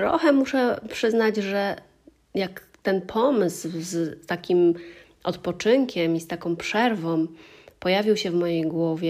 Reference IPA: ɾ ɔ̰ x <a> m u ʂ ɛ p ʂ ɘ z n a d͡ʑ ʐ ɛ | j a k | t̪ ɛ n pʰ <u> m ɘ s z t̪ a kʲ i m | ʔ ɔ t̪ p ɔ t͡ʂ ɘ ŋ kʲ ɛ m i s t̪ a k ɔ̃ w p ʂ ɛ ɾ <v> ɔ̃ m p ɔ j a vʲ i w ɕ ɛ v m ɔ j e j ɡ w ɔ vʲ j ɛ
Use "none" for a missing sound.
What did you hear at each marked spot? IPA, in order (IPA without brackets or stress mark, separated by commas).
ɛ, ɔ, v